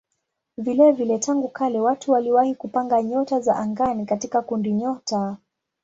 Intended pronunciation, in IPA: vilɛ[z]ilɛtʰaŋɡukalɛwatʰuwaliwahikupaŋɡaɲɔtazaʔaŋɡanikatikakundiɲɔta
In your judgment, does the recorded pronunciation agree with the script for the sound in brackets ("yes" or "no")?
no